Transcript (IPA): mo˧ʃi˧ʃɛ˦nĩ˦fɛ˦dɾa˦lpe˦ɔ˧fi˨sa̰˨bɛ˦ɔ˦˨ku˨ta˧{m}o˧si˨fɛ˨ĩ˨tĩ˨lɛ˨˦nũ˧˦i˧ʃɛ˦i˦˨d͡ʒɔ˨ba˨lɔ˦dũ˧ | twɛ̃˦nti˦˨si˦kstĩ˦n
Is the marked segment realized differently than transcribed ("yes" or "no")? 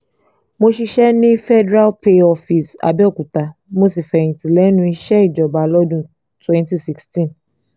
no